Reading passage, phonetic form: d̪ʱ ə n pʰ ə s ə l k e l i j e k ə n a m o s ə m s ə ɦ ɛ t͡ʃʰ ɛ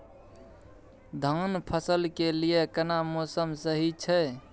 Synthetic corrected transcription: d̪ʱ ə n pʰ ə s ə l k e l i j e k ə n a m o s ə m s ə ɦ i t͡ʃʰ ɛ